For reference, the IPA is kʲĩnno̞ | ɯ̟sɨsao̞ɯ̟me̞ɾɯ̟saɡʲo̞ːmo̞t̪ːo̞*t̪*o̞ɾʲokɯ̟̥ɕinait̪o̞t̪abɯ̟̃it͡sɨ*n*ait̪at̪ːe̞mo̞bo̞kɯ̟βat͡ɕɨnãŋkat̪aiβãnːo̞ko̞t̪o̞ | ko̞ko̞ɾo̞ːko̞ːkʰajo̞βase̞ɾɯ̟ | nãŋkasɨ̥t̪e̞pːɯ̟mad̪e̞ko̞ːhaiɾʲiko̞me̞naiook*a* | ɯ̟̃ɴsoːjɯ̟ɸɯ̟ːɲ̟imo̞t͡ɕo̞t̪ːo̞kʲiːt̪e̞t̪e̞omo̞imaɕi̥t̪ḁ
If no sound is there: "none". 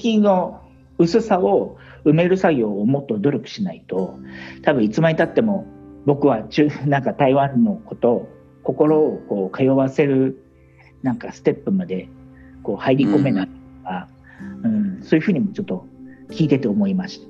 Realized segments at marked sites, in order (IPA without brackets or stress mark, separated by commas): d̪, m, a